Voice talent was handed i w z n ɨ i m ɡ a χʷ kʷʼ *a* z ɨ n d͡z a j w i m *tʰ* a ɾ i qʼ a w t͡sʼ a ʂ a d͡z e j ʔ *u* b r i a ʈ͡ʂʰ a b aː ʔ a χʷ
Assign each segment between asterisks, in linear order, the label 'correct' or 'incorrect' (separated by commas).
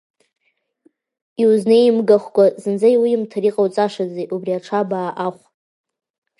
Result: correct, correct, correct